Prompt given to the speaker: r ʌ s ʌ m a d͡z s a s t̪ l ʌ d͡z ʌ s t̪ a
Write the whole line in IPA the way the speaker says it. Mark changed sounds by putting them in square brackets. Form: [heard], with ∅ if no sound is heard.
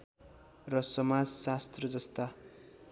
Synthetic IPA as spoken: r ʌ s ʌ m a d͡z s a s t̪ [r] ʌ d͡z ʌ s t̪ a